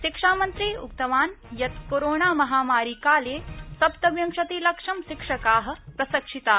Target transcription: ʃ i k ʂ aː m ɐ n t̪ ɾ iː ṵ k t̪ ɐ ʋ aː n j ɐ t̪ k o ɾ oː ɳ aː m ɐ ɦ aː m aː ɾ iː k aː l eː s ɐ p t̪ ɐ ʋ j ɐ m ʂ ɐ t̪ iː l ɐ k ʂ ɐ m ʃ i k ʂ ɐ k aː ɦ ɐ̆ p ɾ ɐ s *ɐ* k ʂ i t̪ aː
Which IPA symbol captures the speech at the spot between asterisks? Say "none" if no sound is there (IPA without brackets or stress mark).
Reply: ɐ